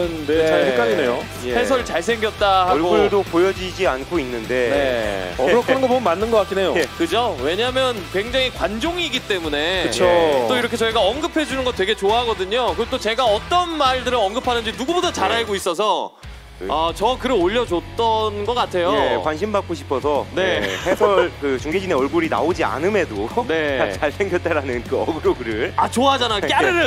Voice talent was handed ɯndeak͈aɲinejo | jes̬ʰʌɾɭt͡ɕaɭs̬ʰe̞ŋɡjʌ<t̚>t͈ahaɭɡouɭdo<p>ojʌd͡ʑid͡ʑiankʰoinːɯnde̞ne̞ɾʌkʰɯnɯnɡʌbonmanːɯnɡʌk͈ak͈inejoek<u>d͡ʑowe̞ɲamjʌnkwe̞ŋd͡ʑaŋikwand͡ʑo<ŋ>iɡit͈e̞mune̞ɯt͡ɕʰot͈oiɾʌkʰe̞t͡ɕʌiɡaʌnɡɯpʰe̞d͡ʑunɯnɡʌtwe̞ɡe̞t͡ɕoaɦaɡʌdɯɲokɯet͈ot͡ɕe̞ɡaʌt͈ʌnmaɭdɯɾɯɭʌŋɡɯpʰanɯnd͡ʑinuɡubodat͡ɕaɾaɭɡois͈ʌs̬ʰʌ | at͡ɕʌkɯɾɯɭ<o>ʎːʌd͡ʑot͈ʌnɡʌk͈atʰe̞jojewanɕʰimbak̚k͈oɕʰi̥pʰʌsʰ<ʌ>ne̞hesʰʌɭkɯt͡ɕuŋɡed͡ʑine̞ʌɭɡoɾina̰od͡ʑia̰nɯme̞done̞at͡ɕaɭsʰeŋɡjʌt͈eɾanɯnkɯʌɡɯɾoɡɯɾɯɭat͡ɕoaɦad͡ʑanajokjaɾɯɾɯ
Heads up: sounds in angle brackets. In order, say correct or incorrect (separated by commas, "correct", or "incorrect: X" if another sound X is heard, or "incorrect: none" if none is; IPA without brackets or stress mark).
correct, correct, incorrect: ɯ, correct, correct, correct